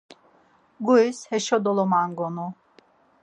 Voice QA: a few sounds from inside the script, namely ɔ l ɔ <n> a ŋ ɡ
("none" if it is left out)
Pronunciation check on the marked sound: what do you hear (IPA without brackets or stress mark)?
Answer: m